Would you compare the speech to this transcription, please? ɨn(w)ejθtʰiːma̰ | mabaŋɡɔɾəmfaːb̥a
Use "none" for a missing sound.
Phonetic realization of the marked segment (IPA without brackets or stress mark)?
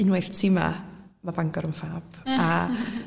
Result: w